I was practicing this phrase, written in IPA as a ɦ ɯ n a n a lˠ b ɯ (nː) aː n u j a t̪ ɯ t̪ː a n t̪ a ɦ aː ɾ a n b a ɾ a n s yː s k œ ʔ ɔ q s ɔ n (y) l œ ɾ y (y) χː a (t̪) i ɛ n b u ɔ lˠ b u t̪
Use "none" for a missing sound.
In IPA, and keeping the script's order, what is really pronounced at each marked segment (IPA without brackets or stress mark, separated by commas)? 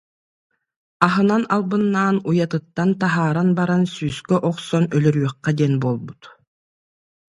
nː, œ, œ, d̪